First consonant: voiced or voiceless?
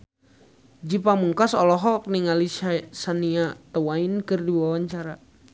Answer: voiced